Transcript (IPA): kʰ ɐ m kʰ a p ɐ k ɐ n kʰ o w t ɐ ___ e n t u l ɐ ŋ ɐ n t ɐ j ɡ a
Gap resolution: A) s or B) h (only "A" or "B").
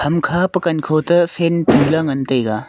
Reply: A